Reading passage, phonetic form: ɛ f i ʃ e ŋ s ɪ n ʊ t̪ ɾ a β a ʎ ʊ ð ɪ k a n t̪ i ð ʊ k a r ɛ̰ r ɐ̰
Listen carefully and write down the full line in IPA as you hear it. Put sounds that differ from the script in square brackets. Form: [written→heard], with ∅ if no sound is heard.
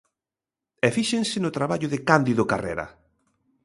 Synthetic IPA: ɛ f i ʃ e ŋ s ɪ n ʊ t̪ ɾ a β a ʎ ʊ ð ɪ k a n [t̪→d̪] i ð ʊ k a r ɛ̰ [r→ɾ] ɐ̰